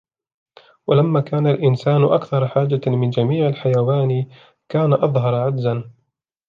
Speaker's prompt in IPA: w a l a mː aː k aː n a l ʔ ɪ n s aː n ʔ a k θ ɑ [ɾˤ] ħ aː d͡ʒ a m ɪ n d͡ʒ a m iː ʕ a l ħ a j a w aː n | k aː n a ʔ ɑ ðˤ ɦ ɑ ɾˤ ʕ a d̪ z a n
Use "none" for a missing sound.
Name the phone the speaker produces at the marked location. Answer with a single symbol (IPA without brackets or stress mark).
ɾˤ